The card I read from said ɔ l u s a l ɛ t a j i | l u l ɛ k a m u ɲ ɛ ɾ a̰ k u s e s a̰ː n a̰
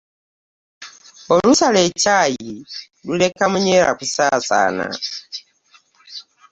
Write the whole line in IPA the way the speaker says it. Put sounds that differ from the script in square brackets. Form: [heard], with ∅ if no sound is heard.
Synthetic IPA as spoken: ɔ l u s a l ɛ [t͡ʃ] a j i | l u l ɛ k a m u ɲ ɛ ɾ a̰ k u s [a] s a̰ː n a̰

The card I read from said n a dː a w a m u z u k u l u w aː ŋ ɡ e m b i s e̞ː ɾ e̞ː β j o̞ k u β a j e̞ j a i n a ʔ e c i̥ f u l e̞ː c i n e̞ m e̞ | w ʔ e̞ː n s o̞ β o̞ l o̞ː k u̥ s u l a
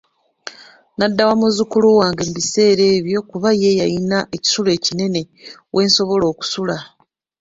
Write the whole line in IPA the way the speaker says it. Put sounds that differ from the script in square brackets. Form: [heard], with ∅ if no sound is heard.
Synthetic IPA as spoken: n a dː a w a m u z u k u l u w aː ŋ ɡ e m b i s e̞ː ɾ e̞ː β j o̞ k u β a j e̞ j a i n a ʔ e c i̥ [s] u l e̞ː c i n e̞ [n] e̞ | w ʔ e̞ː n s o̞ β o̞ l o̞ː k u̥ s u l a

